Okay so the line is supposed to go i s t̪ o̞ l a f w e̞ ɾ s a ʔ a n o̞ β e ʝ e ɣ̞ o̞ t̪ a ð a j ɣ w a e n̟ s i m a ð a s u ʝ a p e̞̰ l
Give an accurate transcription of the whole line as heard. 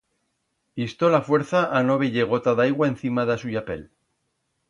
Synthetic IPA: i s t̪ o̞ l a f w e̞ ɾ θ a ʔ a n o̞ β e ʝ e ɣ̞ o̞ t̪ a ð a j ɣ w a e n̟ θ i m a ð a s u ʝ a p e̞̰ l